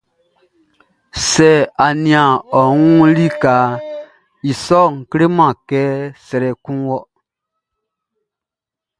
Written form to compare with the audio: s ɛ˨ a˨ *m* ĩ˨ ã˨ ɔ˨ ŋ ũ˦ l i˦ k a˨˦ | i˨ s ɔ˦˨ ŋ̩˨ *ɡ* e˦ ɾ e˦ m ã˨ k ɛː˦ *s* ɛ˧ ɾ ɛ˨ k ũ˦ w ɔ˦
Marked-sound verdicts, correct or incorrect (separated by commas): incorrect, incorrect, correct